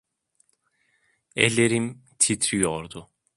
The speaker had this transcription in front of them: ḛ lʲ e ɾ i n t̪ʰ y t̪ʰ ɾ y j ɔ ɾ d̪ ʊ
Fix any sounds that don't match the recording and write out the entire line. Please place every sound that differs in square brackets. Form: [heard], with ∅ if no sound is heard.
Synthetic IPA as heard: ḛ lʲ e ɾ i [m] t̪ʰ [i] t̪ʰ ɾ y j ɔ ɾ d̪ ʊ